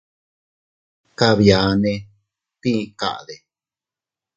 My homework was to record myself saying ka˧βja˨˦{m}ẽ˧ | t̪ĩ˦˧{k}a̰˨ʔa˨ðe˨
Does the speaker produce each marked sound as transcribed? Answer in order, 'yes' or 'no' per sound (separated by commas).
no, yes